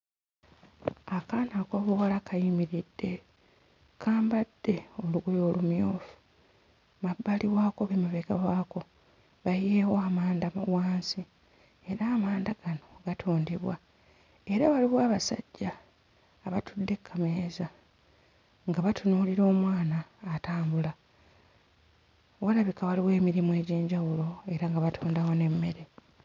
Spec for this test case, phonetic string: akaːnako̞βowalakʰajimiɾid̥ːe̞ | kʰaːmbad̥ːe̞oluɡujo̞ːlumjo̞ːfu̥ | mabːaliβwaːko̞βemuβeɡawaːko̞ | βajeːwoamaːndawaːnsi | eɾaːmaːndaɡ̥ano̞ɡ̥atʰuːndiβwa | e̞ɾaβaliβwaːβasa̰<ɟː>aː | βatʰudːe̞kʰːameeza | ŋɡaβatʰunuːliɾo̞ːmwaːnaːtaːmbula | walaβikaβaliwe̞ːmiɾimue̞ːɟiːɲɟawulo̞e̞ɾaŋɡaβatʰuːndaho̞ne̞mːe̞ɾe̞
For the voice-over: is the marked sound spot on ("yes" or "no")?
yes